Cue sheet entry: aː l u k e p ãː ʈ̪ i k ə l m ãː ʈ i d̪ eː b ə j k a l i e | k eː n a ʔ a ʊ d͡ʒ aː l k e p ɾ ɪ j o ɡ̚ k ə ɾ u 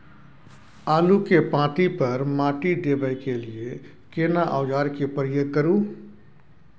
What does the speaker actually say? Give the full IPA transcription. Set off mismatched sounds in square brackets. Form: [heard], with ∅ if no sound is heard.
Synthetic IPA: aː l u k e p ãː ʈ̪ i [p] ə [ɾ] m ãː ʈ i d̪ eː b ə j k [e] l i e | k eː n a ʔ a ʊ d͡ʒ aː [ɾ] k e p ɾ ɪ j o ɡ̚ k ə ɾ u